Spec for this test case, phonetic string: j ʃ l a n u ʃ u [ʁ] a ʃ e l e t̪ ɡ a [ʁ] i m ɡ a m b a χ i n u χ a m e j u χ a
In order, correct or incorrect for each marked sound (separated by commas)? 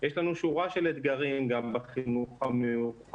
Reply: correct, correct